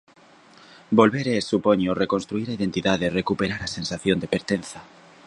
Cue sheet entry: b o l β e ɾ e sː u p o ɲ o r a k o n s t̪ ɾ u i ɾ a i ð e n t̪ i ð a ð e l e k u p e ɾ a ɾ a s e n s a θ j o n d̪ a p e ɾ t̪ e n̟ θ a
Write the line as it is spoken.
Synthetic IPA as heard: b o l β e ɾ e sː u p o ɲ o r e k o n s t̪ ɾ u i ɾ a i ð e n t̪ i ð a ð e r e k u p e ɾ a ɾ a s e n s a θ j o n d̪ e p e ɾ t̪ e n̟ θ a